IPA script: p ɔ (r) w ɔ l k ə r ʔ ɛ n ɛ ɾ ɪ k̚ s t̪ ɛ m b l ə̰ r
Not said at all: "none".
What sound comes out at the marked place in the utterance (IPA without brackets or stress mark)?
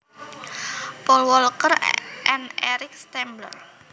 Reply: l